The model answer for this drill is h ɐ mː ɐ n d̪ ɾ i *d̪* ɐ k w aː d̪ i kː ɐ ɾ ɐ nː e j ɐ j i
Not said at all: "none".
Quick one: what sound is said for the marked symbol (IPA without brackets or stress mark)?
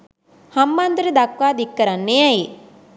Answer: d̪